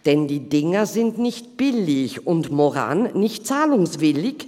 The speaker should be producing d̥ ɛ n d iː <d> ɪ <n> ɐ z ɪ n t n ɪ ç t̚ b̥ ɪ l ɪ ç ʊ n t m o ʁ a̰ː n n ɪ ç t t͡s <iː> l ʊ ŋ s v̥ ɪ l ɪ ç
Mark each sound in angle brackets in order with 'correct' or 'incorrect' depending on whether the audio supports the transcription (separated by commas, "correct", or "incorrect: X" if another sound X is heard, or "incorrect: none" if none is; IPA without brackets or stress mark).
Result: correct, incorrect: ŋ, incorrect: aː